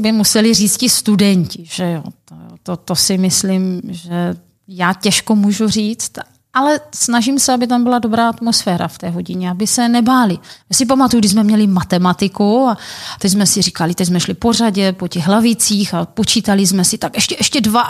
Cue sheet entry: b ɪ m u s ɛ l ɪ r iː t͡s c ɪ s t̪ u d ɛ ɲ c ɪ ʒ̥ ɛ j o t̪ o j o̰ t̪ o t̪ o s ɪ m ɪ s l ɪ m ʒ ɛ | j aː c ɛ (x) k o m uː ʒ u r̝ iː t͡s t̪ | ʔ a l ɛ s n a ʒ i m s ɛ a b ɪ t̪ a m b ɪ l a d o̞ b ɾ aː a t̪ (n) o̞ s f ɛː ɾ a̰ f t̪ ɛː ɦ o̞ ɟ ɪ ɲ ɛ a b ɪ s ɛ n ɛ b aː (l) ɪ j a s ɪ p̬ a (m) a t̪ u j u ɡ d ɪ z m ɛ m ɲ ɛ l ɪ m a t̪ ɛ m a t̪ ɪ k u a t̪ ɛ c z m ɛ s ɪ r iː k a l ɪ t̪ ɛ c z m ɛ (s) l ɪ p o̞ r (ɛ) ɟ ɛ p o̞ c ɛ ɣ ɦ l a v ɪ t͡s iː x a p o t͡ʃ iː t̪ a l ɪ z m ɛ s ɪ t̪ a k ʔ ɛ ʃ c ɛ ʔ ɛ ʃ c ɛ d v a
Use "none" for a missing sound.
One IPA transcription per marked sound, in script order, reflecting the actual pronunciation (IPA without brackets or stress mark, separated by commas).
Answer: ʃ, m, l, m, ʃ, a